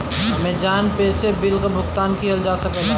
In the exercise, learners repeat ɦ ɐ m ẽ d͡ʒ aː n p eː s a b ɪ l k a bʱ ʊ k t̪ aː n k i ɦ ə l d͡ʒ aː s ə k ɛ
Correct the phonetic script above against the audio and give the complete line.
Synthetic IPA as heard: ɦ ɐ m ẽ d͡ʒ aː n p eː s e b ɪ l k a bʱ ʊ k t̪ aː n k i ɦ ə l d͡ʒ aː s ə k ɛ

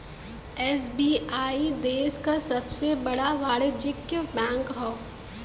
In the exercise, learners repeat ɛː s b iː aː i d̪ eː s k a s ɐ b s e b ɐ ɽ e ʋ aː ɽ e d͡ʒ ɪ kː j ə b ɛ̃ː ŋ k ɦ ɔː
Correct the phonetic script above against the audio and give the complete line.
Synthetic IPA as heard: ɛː s b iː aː i d̪ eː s k a s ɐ b s e b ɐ ɽ a ʋ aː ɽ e d͡ʒ ɪ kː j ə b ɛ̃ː ŋ k ɦ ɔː

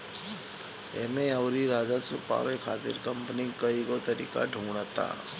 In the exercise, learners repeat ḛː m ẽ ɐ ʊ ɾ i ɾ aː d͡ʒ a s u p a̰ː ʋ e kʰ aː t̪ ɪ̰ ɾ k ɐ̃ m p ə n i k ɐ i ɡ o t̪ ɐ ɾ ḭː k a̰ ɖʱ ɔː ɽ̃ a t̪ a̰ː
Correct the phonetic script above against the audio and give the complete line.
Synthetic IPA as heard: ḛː m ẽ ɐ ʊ ɾ i ɾ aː d͡ʒ a s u p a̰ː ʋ e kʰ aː t̪ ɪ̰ ɾ k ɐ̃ m p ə n i k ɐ i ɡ o t̪ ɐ ɾ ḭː k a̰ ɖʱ uː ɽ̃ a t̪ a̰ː

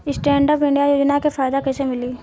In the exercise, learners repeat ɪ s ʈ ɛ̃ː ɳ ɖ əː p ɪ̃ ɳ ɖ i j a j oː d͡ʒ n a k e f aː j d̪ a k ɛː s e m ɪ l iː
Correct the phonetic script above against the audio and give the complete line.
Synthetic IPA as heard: ɪ s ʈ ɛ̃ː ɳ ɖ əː p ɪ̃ ɳ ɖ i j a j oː d͡ʒ n a k e f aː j d̪ a k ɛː s e m ɪ l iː

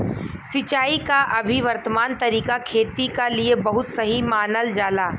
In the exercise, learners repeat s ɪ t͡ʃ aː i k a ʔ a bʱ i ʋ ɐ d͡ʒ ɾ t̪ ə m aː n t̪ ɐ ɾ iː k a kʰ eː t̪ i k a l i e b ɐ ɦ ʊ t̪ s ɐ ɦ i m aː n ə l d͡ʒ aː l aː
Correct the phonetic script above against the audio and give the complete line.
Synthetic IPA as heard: s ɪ t͡ʃ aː i k a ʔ ɐ bʱ i ʋ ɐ ɾ t̪ ə m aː n t̪ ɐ ɾ iː k a kʰ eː t̪ i k a l i e b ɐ ɦ ʊ t̪ s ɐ ɦ i m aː n ə l d͡ʒ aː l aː

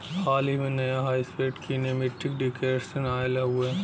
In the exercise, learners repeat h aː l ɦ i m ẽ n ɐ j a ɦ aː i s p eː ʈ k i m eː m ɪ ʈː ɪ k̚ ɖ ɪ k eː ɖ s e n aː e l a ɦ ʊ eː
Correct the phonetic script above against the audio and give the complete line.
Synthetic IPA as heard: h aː l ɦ i m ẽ n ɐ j a ɦ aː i s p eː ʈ k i n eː m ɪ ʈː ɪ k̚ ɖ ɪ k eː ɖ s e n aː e l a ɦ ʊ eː

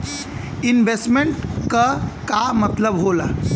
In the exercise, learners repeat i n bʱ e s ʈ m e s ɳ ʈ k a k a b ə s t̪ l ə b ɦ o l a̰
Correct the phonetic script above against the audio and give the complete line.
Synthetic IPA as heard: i n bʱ e s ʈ m e ɳ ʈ k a k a m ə t̪ l ə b ɦ o l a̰

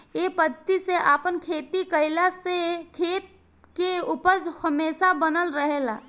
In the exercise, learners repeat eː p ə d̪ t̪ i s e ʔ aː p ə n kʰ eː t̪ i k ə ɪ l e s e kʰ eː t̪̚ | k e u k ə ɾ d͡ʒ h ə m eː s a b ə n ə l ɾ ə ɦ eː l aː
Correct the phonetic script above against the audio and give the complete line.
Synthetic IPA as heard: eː p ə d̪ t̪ i s e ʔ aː p ə n kʰ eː t̪ i k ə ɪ l a s e kʰ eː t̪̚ | k e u p ə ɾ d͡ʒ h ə m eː s a b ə n ə l ɾ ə ɦ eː l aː

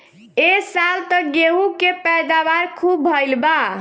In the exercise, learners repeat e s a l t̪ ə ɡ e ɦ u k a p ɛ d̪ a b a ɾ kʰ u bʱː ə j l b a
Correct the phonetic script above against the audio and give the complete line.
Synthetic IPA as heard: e s a l t̪ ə ɡ e ɦ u k e p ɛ d̪ a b a ɾ kʰ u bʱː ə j l b a

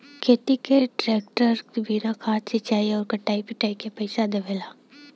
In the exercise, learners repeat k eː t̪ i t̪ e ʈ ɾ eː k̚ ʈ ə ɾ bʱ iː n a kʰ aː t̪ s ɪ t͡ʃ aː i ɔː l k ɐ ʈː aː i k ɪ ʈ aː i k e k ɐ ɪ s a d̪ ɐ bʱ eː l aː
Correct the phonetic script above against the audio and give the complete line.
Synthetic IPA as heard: kʰ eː t̪ i t̪ e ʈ ɾ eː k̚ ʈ ə ɾ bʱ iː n a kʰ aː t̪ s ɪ t͡ʃ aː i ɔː ɾ k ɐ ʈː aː i p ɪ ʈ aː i k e p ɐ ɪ s a d̪ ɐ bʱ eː l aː

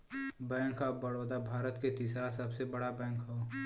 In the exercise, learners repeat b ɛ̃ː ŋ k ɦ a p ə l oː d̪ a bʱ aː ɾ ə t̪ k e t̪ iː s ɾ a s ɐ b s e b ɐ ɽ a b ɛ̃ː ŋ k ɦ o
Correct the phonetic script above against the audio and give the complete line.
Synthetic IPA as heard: b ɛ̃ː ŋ k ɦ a b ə ɽ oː d̪ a bʱ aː ɾ ə t̪ k e t̪ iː s ɾ a s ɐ b s e b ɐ ɽ a b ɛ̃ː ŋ k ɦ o

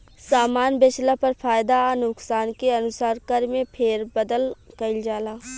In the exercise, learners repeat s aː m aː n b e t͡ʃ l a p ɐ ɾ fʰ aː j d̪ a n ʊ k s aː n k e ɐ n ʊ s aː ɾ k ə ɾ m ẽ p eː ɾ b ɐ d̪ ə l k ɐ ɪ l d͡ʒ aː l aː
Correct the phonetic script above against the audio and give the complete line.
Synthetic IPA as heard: s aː m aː n b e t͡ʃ l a p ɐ ɾ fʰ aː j d̪ a n ʊ k s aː n k e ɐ n ʊ s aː ɾ k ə ɾ m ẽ pʰ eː ɾ b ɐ d̪ ə l k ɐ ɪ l d͡ʒ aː l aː

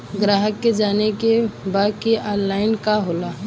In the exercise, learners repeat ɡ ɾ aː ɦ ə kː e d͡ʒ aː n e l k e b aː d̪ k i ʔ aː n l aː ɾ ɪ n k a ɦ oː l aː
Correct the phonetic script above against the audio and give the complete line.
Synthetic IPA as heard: ɡ ɾ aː ɦ ə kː e d͡ʒ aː n e k e b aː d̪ k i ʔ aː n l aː ɪ n k a ɦ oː l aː

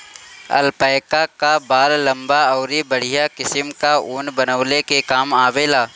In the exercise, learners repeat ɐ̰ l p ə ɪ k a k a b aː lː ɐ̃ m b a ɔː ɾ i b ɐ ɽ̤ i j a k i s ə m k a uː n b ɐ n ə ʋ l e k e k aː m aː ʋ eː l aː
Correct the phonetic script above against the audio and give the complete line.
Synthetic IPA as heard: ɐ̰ l p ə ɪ k a k a b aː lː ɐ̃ m b a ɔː ɾ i b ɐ ɽ̤ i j a k ɪ s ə m k a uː n b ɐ n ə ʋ l e k e k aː m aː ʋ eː l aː

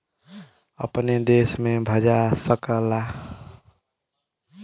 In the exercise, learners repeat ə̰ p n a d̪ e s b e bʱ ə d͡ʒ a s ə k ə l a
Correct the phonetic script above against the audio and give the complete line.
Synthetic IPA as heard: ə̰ p n e d̪ e s m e bʱ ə d͡ʒ a s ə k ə l a

